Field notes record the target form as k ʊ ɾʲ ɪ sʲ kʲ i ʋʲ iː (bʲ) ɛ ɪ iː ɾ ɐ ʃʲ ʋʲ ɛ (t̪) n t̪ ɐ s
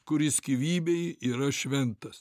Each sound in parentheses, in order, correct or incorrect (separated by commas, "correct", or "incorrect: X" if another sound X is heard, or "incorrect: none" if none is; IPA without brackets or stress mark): correct, incorrect: none